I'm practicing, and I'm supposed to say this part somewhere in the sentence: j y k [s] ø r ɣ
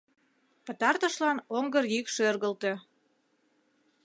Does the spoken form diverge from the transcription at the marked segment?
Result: yes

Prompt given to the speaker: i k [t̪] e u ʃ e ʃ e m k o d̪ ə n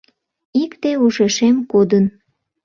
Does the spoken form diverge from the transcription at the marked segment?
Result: no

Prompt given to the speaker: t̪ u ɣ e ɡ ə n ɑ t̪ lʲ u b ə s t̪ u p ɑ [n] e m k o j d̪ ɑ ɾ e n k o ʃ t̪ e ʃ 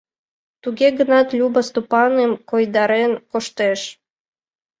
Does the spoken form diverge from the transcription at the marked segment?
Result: no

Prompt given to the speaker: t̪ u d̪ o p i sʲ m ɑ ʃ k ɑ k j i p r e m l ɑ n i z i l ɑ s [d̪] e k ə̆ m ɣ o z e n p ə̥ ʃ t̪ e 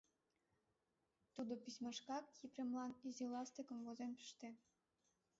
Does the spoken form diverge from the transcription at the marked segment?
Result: yes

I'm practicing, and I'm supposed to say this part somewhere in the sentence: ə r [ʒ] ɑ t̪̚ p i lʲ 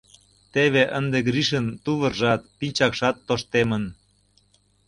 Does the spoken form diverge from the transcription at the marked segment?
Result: no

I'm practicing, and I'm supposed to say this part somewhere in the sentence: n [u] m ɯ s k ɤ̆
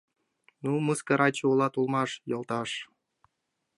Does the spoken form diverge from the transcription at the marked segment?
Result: no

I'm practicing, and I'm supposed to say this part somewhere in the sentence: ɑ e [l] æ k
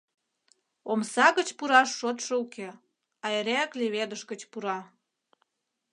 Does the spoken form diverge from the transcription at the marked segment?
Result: yes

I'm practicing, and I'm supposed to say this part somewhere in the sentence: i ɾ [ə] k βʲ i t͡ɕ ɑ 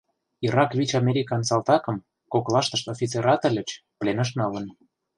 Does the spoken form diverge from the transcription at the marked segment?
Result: yes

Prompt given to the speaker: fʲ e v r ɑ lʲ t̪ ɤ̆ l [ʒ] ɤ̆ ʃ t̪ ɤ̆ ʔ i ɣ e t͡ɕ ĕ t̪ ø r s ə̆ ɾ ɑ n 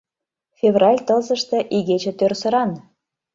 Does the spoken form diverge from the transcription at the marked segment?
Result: yes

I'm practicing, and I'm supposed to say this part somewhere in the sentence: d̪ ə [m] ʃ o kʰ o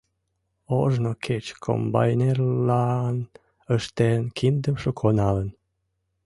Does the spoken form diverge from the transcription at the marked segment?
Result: no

